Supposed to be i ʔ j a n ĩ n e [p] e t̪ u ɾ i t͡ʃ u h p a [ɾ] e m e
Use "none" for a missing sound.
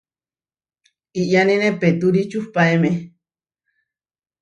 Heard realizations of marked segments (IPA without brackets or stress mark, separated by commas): p, none